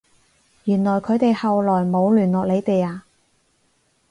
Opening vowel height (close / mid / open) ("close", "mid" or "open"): close